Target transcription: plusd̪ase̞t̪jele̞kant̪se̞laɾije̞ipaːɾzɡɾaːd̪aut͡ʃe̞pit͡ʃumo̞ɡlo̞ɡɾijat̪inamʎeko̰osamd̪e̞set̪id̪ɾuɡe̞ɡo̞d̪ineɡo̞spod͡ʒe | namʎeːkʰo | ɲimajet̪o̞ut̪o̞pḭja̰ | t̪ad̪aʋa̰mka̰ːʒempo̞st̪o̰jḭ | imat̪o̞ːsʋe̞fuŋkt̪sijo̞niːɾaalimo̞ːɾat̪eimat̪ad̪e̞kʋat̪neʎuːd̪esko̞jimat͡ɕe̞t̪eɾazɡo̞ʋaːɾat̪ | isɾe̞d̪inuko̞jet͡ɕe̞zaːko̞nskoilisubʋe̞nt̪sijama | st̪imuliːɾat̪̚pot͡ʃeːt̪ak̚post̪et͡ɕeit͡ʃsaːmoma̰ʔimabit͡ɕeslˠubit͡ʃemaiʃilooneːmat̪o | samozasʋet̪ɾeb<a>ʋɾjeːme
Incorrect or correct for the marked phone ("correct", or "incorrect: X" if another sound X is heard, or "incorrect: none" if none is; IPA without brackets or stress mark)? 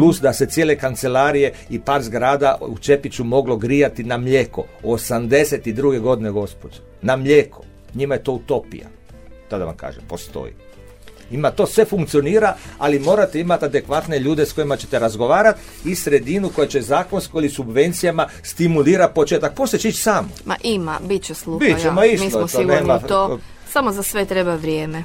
correct